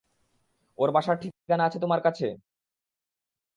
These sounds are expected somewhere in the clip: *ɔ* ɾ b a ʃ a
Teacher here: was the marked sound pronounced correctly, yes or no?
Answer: no